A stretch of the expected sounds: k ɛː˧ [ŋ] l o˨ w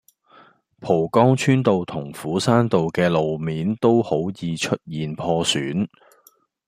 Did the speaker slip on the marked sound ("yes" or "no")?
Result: yes